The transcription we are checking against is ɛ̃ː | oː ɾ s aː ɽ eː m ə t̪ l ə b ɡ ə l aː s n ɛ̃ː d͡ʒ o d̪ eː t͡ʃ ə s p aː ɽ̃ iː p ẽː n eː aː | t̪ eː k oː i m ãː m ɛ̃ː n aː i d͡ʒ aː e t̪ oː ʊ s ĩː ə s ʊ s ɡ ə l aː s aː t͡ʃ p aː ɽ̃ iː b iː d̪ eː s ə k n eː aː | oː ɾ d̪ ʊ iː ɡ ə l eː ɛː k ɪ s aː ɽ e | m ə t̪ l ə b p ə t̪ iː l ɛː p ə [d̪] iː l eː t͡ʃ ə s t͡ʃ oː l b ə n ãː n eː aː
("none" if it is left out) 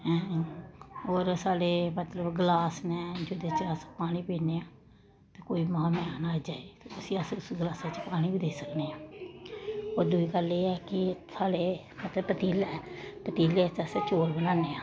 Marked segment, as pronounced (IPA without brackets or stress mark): t̪